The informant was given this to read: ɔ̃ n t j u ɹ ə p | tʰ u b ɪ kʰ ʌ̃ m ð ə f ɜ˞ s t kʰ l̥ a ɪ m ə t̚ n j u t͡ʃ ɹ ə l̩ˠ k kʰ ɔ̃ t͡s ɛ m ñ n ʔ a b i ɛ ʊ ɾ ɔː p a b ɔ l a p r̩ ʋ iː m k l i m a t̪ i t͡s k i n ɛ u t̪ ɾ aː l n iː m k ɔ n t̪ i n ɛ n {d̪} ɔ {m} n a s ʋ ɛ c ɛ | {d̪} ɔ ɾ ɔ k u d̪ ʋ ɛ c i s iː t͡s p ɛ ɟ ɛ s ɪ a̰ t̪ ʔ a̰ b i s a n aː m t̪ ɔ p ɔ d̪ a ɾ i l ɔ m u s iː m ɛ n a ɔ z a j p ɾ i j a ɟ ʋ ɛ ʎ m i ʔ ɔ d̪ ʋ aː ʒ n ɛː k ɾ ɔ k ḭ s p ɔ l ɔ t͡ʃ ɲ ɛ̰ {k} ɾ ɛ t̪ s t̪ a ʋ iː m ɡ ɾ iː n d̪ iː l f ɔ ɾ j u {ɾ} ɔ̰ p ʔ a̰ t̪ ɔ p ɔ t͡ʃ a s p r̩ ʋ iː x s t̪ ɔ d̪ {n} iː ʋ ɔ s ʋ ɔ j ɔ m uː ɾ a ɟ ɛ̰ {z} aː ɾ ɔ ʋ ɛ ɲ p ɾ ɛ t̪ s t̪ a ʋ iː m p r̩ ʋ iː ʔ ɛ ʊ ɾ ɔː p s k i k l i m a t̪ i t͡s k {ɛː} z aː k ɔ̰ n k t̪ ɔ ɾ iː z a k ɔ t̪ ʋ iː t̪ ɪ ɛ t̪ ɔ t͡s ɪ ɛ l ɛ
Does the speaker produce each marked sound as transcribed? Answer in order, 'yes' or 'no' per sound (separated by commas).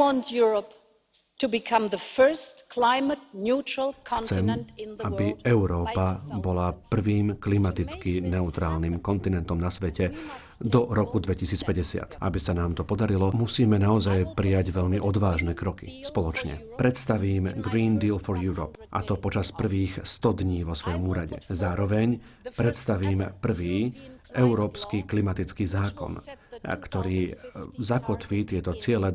no, yes, yes, no, yes, no, yes, no